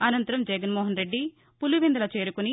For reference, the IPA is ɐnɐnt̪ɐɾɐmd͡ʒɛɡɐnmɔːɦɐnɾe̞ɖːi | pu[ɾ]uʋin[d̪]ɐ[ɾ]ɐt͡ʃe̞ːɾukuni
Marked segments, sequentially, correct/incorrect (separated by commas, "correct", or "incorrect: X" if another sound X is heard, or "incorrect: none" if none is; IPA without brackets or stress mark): incorrect: l, correct, incorrect: l